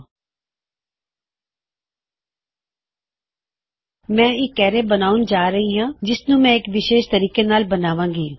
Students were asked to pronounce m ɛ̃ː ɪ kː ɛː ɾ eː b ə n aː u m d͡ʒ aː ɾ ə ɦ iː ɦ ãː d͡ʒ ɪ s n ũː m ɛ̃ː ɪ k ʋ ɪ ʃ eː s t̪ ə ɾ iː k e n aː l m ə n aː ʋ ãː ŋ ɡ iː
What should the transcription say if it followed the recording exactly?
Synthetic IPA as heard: m ɛ̃ː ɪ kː ɛː ɾ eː b ə n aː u n d͡ʒ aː ɾ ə ɦ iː ɦ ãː d͡ʒ ɪ s n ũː m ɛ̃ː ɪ k ʋ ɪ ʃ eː ʃ t̪ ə ɾ iː k e n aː l b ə n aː ʋ ãː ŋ ɡ iː